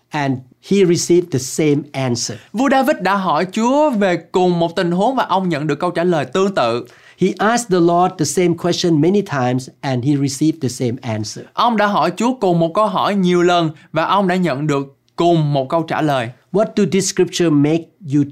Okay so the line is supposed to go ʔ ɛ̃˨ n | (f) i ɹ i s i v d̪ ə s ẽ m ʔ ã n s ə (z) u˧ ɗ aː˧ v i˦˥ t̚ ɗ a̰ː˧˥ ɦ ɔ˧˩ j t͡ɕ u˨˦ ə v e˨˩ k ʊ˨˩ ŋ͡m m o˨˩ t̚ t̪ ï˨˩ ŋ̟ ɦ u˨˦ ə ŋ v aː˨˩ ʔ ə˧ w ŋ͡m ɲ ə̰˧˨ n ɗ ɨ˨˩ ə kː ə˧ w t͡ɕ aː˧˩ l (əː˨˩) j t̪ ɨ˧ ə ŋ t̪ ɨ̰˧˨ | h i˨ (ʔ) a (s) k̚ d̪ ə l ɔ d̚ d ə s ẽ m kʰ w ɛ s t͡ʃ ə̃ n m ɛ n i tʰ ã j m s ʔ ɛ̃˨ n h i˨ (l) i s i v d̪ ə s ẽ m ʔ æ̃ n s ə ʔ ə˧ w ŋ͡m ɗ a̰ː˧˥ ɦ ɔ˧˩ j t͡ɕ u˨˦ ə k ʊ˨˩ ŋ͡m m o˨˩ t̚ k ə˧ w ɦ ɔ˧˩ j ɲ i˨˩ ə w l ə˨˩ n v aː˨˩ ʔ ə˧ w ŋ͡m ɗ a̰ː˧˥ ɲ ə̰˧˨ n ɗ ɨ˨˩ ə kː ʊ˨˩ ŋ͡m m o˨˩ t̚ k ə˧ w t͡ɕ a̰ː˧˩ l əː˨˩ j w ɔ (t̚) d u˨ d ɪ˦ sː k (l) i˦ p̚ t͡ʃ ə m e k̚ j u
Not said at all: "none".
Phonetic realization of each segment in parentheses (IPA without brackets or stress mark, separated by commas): h, v, əː˨˩, ʔ, s, ɹ, t̚, ɹ